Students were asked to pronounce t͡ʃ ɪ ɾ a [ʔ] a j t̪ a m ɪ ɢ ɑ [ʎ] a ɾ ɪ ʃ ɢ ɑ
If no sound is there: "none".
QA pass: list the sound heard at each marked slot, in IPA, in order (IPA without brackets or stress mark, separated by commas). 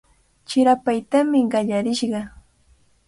p, ʎ